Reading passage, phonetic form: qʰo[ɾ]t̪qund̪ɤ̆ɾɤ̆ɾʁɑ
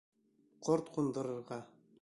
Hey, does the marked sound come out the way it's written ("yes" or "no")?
yes